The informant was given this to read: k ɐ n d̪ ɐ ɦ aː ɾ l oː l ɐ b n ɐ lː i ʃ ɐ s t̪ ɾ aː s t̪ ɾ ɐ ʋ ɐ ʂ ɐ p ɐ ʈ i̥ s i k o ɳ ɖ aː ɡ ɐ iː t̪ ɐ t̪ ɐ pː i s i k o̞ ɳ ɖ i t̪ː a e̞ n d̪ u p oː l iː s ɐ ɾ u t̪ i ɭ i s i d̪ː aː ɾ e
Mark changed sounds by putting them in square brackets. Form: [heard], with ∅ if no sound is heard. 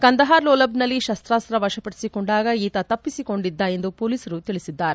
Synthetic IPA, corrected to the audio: k ɐ n d̪ ɐ ɦ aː ɾ l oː l ɐ b n ɐ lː i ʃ ɐ s t̪ ɾ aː s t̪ ɾ ɐ ʋ ɐ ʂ ɐ p ɐ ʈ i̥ s i k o ɳ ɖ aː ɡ ɐ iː t̪ ɐ t̪ ɐ pː i s i k o̞ ɳ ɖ i [d̪ː] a e̞ n d̪ u p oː l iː s ɐ ɾ u t̪ i ɭ i s i d̪ː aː ɾ e